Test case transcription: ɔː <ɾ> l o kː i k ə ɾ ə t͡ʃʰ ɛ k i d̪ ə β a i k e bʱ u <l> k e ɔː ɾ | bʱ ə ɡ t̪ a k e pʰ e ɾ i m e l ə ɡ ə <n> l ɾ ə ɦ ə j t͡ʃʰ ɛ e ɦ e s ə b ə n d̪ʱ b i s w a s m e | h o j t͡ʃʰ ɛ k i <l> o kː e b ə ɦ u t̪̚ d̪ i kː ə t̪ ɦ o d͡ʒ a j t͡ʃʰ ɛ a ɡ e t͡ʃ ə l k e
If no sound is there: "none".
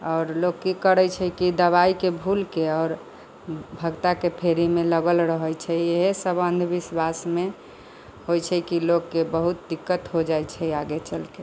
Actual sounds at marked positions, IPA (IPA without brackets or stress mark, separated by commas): ɾ, l, none, l